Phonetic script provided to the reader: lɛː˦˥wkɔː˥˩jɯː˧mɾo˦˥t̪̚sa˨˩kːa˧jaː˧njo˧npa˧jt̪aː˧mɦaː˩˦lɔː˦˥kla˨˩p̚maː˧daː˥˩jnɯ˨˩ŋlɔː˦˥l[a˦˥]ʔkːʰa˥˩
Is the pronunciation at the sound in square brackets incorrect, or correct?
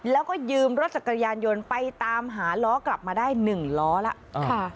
correct